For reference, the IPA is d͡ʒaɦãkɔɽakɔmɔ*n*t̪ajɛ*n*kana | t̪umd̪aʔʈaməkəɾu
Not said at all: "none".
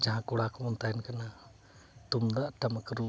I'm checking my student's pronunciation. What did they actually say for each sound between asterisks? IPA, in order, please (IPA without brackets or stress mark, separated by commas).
n, n